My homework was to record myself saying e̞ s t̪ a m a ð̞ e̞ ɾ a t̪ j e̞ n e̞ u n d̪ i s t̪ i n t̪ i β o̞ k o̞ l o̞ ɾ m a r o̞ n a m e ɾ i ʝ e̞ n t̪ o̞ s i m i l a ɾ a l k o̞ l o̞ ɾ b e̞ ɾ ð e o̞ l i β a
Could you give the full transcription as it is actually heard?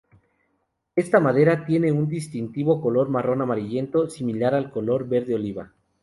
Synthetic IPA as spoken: e̞ s t̪ a m a ð̞ e̞ ɾ a t̪ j e̞ n e̞ u n d̪ i s t̪ i n t̪ i β o̞ k o̞ l o̞ ɾ m a r o̞ n a m a ɾ i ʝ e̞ n t̪ o̞ s i m i l a ɾ a l k o̞ l o̞ ɾ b e̞ ɾ ð e o̞ l i β a